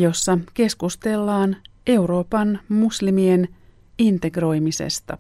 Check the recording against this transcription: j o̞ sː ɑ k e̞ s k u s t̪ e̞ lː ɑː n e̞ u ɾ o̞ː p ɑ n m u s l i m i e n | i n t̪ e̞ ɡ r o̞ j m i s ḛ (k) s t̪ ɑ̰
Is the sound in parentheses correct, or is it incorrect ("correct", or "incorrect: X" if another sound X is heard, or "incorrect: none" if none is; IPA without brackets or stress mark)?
incorrect: none